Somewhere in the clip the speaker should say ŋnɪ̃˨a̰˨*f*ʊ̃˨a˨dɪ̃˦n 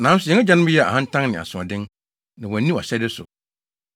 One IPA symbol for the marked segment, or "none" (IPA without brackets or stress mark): s